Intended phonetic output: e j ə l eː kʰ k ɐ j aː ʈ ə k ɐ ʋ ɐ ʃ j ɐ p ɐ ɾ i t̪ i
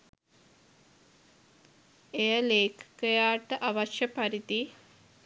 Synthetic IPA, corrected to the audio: e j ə l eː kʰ k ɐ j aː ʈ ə ʔ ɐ ʋ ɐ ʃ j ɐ p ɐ ɾ i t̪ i